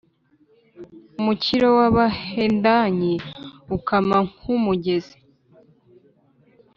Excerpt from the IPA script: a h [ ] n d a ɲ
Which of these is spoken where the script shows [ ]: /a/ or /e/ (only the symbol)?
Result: e